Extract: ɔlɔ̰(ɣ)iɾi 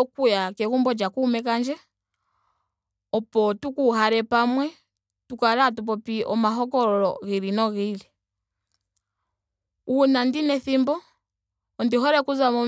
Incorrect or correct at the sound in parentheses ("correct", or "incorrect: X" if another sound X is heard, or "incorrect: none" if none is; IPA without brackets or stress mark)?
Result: correct